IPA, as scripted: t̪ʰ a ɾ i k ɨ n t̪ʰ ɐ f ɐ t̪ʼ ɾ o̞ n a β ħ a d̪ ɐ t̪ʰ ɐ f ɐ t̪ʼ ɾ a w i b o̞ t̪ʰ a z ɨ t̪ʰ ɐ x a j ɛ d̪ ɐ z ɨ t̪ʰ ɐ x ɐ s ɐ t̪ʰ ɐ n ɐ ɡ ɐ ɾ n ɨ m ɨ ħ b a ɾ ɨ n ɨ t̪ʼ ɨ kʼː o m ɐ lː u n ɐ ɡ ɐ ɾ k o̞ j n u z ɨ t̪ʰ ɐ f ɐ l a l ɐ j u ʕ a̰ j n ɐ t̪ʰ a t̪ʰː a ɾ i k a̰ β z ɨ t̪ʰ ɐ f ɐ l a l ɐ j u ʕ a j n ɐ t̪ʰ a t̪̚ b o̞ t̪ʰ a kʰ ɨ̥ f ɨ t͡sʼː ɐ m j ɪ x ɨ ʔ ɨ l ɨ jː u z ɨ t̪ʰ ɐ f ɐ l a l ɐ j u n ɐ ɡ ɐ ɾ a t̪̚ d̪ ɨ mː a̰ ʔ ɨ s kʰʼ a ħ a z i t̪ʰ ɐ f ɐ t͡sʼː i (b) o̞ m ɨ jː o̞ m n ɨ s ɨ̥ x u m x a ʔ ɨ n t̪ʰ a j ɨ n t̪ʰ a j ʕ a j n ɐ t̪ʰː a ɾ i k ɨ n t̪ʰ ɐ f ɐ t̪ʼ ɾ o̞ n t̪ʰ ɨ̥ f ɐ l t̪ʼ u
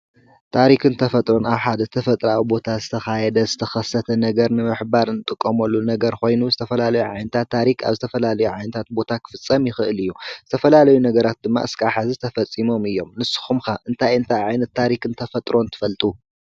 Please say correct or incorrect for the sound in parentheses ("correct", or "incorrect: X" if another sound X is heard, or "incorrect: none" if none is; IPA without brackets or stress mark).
incorrect: m